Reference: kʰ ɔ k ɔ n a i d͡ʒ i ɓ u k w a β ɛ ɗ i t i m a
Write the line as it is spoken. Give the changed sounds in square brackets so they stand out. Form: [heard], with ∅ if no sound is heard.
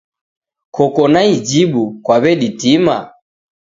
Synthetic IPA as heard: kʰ ɔ k ɔ n a i d͡ʒ i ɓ u k w a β ɛ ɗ i t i m a